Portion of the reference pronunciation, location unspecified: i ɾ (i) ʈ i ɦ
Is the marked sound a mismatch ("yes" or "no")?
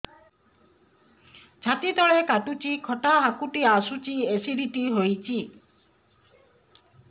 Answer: no